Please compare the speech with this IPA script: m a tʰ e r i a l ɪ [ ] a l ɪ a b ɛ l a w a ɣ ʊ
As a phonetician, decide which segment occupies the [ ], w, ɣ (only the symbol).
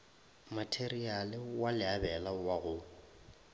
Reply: w